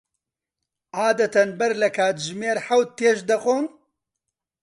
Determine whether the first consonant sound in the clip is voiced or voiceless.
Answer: voiced